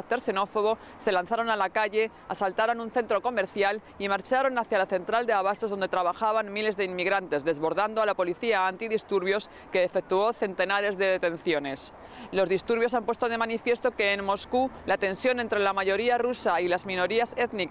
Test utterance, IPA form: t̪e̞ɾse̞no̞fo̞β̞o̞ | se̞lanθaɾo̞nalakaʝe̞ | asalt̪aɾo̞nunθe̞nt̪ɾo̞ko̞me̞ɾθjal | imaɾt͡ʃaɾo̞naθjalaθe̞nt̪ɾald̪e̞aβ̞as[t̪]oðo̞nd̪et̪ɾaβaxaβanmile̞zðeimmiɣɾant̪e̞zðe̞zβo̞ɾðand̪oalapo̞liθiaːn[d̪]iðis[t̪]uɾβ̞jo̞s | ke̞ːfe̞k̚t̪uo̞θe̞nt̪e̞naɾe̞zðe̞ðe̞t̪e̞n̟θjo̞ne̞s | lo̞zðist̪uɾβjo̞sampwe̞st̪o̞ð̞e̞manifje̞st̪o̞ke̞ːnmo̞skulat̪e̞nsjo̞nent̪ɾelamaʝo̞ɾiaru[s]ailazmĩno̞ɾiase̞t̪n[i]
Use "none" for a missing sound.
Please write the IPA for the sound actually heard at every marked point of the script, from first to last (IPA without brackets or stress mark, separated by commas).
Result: t̪, t̪, t̪, s, i